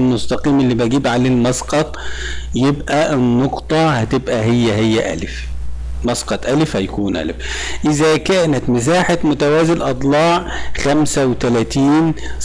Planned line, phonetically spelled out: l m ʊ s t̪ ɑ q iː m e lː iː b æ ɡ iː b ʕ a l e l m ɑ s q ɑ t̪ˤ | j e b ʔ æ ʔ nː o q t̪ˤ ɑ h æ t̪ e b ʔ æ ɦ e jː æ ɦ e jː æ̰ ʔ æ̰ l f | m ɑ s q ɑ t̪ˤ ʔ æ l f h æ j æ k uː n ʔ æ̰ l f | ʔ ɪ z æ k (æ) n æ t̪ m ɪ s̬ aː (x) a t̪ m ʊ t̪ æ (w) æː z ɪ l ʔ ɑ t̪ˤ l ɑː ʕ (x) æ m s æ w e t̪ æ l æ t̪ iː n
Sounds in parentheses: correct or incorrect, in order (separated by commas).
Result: incorrect, incorrect, correct, correct